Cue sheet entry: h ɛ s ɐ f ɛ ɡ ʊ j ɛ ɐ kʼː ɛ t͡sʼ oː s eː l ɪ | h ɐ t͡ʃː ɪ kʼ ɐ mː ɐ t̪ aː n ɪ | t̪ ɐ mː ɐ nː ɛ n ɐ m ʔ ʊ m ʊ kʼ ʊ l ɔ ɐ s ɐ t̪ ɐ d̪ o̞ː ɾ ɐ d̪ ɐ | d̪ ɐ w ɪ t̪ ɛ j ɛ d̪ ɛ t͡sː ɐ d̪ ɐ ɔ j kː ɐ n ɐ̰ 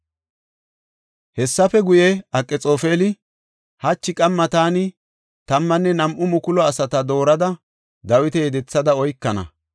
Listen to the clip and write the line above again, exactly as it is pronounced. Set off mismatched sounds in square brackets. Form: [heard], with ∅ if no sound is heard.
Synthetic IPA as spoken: h ɛ [sː] ɐ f ɛ ɡ ʊ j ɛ ɐ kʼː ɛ t͡sʼ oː [f] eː l ɪ | h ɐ t͡ʃː ɪ kʼ ɐ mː ɐ t̪ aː n ɪ | t̪ ɐ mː ɐ nː ɛ n ɐ m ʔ ʊ m ʊ [k] ʊ l ɔ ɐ s ɐ t̪ ɐ d̪ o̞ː ɾ ɐ d̪ ɐ | d̪ ɐ w ɪ t̪ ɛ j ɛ d̪ ɛ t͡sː ɐ d̪ ɐ ɔ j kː ɐ n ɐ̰